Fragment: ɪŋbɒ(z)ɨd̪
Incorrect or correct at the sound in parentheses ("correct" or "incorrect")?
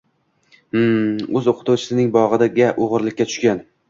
incorrect